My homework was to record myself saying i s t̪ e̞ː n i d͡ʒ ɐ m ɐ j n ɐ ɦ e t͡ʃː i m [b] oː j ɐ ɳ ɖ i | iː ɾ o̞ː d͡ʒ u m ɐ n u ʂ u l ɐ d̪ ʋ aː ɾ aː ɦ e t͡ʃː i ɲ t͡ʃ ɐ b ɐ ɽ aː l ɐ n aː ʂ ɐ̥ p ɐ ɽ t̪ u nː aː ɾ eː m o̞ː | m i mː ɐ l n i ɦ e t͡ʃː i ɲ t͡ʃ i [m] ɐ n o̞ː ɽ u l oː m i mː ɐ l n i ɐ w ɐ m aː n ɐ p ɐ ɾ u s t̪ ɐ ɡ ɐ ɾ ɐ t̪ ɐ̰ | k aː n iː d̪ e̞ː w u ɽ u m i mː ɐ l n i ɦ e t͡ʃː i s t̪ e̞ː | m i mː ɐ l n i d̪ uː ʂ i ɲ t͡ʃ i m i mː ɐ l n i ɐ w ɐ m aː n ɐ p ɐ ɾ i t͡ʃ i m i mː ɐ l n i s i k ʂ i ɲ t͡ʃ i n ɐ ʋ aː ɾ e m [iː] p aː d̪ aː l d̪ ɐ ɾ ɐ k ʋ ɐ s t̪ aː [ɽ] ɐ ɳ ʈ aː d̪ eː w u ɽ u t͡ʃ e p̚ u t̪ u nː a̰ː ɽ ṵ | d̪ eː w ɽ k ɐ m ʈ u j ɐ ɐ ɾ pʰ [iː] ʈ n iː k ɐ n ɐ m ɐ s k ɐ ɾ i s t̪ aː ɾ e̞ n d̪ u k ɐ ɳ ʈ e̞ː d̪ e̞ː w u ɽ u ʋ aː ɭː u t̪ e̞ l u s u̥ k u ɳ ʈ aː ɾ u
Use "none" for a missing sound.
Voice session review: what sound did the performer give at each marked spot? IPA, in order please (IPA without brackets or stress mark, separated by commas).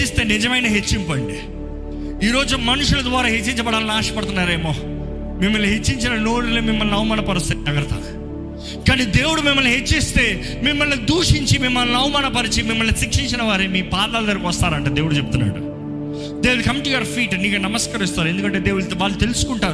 p, n, iː, ɾ, iː